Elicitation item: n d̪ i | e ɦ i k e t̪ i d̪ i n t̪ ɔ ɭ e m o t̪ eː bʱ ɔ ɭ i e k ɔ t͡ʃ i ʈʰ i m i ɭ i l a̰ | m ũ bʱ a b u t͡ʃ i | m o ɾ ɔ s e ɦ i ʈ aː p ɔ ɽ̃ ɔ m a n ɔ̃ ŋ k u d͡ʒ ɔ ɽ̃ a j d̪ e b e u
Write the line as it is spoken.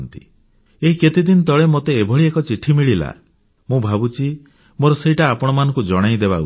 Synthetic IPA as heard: n t̪ i | e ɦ i k e t̪ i d̪ i n t̪ ɔ ɭ e m o t̪ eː bʱ ɔ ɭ i e k ɔ t͡ʃ i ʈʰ i m i ɭ i l a̰ | m ũ bʱ a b u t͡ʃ i | m o ɾ ɔ s e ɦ i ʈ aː p ɔ ɽ̃ ɔ m a n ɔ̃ ŋ k u d͡ʒ ɔ ɽ̃ a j d̪ e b a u